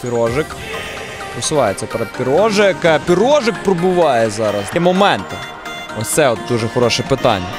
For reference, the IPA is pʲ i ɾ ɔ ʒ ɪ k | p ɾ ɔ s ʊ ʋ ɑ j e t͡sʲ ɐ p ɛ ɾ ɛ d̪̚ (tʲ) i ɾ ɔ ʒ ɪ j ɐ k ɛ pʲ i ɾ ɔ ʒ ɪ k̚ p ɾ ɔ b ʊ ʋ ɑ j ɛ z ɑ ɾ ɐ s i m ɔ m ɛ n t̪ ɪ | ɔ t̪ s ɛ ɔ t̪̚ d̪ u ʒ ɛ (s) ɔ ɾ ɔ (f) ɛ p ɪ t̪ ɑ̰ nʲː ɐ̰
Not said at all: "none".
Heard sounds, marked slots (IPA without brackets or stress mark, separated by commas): pʲ, x, ʃ